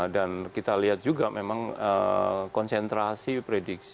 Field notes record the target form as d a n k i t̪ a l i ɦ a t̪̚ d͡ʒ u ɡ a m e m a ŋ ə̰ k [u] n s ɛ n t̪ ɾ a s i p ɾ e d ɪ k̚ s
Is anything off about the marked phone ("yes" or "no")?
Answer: yes